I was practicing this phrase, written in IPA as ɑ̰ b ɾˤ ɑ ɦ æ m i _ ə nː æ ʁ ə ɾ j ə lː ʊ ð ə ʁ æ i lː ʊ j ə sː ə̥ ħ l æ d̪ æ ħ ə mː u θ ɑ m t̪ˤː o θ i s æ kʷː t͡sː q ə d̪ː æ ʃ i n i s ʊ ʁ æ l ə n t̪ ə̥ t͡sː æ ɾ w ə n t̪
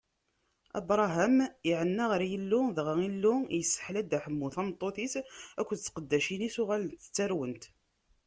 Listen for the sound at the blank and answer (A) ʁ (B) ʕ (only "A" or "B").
B